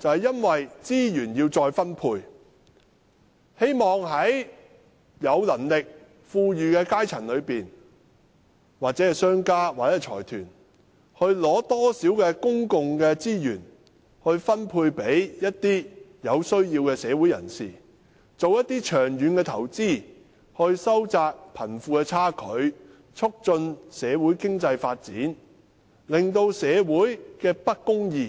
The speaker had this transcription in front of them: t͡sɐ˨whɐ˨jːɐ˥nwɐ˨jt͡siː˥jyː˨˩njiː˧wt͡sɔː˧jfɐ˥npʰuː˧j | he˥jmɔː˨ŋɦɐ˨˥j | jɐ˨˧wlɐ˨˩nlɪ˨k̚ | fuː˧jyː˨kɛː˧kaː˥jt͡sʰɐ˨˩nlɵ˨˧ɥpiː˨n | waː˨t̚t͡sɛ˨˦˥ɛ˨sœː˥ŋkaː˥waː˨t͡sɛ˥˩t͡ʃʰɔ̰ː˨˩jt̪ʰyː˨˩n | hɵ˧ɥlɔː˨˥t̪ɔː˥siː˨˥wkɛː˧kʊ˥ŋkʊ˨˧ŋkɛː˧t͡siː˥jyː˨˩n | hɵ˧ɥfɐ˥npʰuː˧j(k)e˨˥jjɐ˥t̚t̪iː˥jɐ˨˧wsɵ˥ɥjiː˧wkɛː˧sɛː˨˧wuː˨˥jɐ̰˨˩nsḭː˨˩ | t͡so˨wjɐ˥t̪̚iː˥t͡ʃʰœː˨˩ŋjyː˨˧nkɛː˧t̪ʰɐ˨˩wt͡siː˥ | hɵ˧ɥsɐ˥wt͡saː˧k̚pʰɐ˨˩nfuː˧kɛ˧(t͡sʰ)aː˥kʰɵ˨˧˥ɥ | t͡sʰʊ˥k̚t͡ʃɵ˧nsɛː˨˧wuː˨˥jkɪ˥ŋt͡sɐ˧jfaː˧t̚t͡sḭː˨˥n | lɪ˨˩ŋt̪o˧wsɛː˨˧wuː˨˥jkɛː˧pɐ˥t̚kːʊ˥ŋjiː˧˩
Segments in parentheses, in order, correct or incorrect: incorrect: p, correct

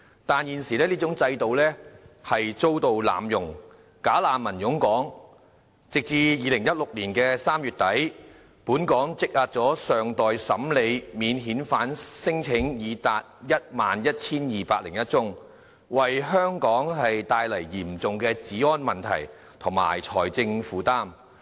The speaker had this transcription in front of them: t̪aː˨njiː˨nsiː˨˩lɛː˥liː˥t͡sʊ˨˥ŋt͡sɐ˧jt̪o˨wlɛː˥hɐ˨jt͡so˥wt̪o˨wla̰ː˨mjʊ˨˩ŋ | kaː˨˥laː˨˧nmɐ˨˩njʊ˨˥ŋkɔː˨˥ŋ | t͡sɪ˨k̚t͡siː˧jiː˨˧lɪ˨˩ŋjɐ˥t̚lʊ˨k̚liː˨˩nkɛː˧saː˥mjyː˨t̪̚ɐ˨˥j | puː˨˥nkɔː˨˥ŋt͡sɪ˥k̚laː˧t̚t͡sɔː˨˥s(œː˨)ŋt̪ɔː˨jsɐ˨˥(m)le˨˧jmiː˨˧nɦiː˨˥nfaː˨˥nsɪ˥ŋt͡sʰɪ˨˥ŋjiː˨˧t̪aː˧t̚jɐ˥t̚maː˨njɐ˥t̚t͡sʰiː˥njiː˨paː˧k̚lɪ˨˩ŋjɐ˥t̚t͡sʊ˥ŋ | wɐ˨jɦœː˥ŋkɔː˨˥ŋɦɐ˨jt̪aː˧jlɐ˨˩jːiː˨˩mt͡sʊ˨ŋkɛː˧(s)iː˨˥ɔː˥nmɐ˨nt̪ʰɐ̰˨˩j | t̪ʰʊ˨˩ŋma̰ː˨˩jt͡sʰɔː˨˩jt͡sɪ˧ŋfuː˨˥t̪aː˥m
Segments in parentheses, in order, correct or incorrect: correct, correct, incorrect: t͡s

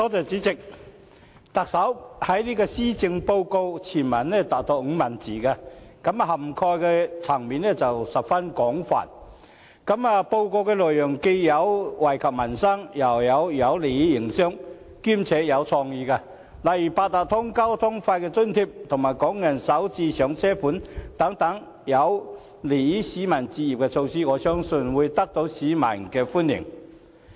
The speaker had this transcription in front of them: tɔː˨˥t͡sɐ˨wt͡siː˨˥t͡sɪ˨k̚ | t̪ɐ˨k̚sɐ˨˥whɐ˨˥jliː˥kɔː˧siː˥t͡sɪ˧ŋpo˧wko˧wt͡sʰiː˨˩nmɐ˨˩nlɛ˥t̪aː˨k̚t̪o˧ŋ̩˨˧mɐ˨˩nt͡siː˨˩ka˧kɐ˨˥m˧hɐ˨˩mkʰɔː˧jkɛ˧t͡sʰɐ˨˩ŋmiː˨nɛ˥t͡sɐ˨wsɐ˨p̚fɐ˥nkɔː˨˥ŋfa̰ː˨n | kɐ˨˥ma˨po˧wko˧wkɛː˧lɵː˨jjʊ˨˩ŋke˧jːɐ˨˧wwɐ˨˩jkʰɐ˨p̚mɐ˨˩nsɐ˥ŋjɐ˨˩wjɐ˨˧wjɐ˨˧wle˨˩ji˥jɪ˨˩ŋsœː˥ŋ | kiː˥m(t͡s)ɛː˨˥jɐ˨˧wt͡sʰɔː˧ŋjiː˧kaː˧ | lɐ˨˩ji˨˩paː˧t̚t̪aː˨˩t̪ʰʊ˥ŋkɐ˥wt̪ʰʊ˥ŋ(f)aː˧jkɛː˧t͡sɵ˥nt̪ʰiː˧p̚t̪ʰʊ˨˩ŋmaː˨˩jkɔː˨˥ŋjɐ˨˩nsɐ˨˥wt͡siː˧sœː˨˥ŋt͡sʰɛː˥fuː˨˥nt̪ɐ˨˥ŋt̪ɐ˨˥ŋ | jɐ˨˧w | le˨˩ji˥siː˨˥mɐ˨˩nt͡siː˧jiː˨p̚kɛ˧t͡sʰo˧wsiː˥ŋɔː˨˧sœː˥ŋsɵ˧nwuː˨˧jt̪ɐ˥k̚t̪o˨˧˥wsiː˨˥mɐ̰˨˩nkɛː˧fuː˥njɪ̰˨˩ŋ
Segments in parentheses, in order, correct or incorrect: incorrect: t͡sʰ, correct

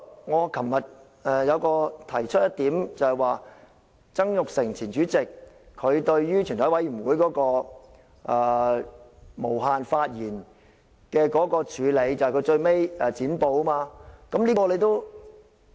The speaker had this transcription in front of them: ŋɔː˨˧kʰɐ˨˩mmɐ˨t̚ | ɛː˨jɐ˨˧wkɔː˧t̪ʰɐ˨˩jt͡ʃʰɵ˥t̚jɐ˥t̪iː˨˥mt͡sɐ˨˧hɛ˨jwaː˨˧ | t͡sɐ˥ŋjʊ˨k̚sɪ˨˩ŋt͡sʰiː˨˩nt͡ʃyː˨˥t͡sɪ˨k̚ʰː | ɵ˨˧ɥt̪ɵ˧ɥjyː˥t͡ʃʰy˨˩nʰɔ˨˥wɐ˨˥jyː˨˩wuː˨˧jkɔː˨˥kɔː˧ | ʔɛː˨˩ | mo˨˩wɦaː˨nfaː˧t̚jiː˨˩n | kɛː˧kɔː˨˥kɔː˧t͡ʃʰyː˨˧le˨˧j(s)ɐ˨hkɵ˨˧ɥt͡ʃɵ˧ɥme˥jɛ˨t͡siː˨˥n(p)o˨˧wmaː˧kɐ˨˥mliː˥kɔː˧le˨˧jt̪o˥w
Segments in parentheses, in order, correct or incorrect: incorrect: t͡s, correct

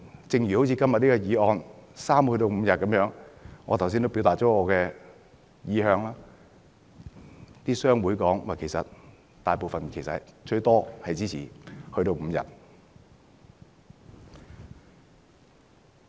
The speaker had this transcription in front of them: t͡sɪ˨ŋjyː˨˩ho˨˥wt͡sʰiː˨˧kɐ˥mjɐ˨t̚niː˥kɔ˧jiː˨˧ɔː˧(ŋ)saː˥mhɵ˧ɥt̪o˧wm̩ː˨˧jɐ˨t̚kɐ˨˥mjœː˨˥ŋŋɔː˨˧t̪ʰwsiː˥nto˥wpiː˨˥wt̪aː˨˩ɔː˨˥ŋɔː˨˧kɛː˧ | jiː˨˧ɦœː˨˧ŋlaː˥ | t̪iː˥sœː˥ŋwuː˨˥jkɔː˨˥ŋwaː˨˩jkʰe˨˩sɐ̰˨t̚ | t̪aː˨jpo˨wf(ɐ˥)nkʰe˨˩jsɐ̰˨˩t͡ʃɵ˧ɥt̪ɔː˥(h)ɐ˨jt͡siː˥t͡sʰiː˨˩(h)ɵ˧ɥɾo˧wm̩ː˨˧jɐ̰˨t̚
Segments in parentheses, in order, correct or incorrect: incorrect: n, incorrect: ɐ˨, correct, correct

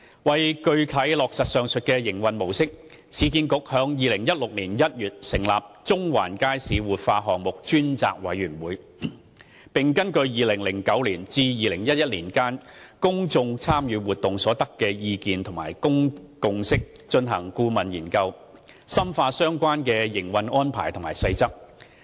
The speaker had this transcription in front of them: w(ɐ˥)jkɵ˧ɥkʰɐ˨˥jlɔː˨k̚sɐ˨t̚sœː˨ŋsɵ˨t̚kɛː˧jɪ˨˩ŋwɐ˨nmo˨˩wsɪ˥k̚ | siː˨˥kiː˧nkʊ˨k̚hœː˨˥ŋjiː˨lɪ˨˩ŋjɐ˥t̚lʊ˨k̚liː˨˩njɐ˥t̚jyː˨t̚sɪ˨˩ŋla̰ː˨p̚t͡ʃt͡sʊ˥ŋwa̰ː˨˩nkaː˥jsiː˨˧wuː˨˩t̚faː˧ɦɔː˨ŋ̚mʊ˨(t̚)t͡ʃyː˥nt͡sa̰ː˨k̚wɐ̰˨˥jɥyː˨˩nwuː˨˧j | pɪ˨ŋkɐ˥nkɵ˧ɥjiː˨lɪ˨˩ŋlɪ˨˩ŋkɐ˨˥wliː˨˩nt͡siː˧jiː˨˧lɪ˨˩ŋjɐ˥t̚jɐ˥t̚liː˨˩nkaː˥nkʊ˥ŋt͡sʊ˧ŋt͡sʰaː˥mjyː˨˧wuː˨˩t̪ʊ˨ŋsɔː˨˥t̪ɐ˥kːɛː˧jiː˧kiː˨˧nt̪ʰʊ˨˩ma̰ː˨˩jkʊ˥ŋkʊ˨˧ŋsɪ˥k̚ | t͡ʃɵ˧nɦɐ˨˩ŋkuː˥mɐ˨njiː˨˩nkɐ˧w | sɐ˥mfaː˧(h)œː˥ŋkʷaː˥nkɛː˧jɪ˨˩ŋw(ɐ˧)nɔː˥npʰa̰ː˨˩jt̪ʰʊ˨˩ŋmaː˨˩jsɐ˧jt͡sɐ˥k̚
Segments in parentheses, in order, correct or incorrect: incorrect: ɐ˨, incorrect: k̚, incorrect: s, correct

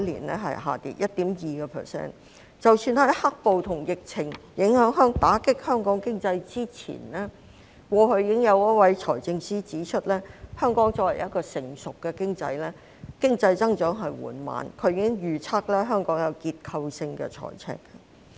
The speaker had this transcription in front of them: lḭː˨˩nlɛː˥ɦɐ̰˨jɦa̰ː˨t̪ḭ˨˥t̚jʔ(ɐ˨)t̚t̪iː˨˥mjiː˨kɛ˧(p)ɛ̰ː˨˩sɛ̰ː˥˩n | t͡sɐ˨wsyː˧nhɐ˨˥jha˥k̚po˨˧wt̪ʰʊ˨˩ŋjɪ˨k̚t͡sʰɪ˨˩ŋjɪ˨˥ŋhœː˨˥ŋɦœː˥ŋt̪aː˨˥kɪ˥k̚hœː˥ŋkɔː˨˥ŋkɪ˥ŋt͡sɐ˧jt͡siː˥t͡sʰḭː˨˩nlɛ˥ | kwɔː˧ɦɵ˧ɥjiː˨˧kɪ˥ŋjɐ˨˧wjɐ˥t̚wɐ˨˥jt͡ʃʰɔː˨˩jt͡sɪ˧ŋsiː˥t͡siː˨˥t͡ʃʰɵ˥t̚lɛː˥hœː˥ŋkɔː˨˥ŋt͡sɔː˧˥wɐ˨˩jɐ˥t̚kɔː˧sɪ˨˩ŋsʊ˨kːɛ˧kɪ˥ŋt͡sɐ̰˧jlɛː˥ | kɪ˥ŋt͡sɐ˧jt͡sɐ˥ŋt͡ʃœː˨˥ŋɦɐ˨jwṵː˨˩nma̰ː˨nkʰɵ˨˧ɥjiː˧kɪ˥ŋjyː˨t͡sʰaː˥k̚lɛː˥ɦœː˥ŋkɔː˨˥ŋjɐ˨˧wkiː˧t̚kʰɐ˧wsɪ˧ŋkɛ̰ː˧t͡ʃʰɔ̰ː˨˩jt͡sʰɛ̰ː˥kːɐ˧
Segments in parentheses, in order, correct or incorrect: incorrect: ɐ˥, incorrect: pʰ

